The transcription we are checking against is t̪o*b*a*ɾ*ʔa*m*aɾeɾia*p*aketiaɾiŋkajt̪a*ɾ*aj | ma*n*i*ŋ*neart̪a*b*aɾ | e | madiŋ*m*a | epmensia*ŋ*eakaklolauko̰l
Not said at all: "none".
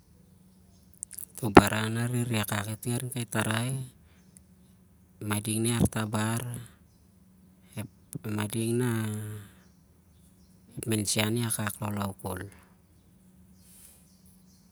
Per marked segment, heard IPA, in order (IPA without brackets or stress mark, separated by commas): b, ɾ, n, k, ɾ, d, ŋ, b, n, n